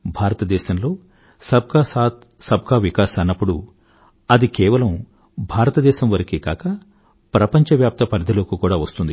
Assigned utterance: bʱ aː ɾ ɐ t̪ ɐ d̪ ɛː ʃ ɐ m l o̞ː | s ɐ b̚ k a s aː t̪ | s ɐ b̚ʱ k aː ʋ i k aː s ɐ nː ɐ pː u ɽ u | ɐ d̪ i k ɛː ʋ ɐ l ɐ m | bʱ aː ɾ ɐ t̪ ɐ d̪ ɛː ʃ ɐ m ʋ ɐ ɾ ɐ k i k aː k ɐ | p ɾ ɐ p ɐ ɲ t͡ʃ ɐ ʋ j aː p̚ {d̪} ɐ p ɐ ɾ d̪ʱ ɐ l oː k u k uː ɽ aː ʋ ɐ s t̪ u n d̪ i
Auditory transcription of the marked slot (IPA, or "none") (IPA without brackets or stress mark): t̪